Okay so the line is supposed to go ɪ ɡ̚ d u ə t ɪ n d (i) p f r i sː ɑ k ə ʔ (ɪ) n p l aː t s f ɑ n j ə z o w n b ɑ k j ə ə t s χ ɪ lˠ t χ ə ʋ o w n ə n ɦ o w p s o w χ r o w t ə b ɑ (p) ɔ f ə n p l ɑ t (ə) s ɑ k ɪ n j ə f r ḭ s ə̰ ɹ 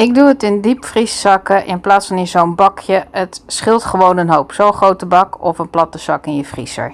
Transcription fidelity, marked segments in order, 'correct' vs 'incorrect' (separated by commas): correct, correct, incorrect, correct